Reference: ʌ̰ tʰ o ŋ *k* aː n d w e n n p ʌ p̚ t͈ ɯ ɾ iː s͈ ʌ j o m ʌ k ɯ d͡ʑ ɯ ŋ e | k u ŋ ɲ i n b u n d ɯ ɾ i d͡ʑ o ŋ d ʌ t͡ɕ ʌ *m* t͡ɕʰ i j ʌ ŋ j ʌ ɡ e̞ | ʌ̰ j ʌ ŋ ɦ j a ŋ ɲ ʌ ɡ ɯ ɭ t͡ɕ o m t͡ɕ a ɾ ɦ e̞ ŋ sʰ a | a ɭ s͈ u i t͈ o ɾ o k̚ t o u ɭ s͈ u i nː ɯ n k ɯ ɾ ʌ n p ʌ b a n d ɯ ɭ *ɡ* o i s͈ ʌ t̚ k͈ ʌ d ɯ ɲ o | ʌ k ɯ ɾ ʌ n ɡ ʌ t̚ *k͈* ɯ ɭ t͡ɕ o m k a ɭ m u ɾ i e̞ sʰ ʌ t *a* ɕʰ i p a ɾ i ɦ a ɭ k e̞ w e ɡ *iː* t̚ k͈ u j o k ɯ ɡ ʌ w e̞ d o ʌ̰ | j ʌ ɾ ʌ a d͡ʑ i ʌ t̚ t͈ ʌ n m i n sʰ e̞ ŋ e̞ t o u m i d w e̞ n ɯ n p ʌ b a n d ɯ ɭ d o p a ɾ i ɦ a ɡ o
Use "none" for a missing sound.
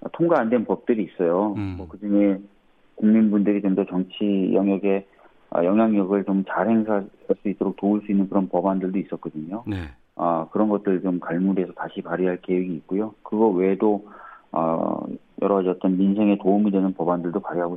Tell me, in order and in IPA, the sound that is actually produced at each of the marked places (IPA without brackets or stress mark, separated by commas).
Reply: ɡ, ŋ, d, t͈, a, iː